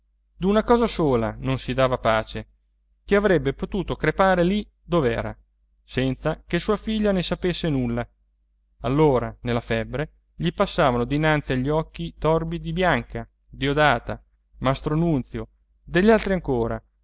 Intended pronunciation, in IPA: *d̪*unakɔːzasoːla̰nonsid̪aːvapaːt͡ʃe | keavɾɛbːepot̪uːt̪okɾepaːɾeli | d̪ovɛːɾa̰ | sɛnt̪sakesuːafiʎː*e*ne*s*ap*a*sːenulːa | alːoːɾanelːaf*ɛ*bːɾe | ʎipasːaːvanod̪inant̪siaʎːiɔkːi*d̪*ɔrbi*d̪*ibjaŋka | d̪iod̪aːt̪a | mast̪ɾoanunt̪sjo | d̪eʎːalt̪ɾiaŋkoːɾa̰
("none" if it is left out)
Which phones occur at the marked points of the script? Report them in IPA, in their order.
d̪, a, s, e, ɛ, t̪, d̪

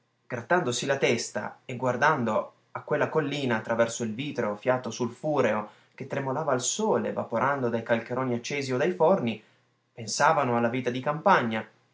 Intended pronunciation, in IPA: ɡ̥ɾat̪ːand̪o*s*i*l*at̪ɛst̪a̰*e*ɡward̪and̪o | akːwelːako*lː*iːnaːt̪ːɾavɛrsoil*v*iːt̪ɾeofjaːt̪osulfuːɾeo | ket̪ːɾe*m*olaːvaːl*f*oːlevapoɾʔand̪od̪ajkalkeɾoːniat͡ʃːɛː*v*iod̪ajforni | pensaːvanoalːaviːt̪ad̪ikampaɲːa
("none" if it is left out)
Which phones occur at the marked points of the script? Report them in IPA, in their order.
s, l, e, lː, v, m, s, z

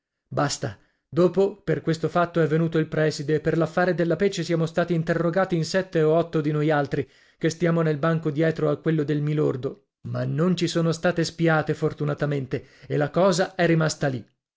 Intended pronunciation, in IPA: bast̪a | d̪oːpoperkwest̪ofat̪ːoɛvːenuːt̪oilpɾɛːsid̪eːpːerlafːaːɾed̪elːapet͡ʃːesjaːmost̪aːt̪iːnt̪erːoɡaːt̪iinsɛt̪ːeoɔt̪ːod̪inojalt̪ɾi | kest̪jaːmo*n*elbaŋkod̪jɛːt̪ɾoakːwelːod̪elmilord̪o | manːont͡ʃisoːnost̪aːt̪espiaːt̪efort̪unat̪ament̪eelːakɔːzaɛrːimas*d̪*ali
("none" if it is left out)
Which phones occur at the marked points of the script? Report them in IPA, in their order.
n, t̪

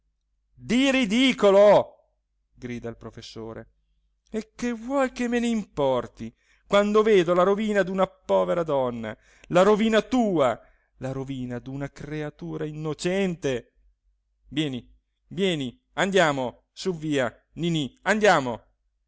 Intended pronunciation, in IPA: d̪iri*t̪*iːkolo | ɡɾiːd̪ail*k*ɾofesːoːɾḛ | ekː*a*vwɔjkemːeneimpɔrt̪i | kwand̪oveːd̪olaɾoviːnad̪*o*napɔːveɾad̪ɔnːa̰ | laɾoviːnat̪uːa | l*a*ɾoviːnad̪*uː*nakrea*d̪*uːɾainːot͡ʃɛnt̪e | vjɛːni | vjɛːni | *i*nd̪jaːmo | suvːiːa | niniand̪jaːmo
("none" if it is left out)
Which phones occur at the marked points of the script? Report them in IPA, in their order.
d̪, p, e, u, a, u, t̪, a

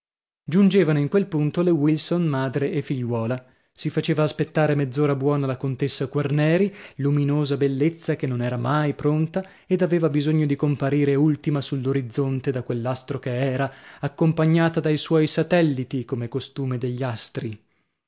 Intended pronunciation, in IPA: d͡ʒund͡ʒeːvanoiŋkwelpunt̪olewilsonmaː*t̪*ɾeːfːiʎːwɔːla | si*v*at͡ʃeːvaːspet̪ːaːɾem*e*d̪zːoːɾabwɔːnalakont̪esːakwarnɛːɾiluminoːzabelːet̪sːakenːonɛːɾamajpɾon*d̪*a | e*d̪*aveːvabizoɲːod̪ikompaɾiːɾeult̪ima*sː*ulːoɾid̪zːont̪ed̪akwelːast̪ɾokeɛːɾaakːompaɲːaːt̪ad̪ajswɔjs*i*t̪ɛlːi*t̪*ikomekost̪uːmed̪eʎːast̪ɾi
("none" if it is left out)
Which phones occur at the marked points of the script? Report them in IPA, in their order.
d̪, f, e, t̪, d̪, s, a, t̪

